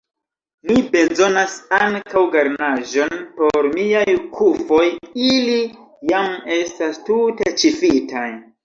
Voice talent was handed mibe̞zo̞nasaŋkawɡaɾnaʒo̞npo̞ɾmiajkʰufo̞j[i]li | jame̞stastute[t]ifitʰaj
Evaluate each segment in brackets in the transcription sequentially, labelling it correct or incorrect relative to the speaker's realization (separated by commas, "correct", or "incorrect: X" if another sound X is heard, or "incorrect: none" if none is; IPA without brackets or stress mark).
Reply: correct, incorrect: t͡ʃ